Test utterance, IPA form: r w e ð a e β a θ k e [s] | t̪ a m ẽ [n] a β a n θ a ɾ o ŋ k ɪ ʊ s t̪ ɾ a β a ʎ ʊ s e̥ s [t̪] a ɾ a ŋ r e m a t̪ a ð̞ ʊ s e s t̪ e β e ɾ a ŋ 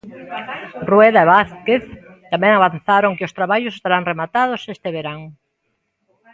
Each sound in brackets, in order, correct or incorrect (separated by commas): incorrect, incorrect, correct